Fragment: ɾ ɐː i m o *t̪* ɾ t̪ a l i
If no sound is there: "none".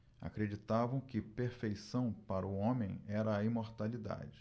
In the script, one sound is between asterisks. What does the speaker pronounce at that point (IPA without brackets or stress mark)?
none